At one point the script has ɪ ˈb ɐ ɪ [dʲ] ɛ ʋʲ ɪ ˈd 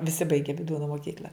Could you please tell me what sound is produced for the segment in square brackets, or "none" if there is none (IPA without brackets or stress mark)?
ɡʲ